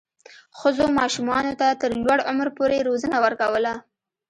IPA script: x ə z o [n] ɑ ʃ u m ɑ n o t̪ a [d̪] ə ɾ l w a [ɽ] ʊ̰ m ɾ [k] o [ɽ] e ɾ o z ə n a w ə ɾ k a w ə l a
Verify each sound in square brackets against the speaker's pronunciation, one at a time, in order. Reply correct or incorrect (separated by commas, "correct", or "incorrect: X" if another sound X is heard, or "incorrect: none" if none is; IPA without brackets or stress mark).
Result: incorrect: m, incorrect: t̪, correct, incorrect: p, incorrect: ɾ